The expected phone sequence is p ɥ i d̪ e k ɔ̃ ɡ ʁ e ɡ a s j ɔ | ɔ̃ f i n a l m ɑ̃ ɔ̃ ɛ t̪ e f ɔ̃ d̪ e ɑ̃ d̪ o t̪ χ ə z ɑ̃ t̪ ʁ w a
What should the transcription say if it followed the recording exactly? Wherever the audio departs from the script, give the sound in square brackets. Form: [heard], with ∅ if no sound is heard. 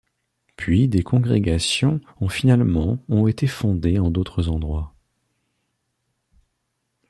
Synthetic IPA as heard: p ɥ i d̪ e k ɔ̃ ɡ ʁ e ɡ a s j [ɔ̃] | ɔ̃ f i n a l m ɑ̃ ɔ̃ [e] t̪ e f ɔ̃ d̪ e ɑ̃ d̪ o t̪ χ ə z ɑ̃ [d̪] ʁ w a